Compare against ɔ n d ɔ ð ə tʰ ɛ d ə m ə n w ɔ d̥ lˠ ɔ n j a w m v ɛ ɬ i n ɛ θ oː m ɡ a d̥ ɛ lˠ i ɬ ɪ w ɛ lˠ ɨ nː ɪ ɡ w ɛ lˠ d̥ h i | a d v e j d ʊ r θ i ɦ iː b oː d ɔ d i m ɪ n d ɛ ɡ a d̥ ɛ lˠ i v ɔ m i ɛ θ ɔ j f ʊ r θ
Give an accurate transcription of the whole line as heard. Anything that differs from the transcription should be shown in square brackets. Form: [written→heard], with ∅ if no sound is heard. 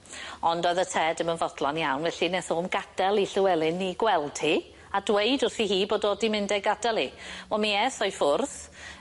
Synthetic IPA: ɔ n d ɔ ð ə tʰ ɛ d ə m ə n [w→v] ɔ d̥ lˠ ɔ n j a w [m→n] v ɛ ɬ i n ɛ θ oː m ɡ a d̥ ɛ lˠ i ɬ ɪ w ɛ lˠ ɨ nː [ɪ→i] ɡ w ɛ lˠ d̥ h i | a d [v→w] e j d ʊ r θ i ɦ iː b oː d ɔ d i m ɪ n d ɛ ɡ a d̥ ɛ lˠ i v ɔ m i ɛ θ ɔ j f ʊ r θ